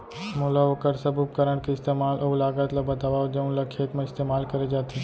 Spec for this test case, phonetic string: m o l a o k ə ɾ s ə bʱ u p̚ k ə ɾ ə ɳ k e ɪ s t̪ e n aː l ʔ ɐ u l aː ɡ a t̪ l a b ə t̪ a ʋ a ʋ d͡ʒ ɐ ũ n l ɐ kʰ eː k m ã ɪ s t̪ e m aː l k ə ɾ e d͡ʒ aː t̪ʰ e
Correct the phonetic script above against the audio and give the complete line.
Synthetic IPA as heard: m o l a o k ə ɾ s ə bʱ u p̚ k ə ɾ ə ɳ k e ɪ s t̪ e m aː l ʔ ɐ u l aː ɡ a t̪ l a b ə t̪ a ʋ a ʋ d͡ʒ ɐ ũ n l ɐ kʰ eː k m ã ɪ s t̪ e m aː l k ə ɾ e d͡ʒ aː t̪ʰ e